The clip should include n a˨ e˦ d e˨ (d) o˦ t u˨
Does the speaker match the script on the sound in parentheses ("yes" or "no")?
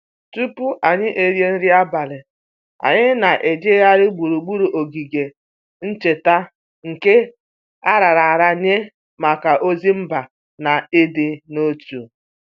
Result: no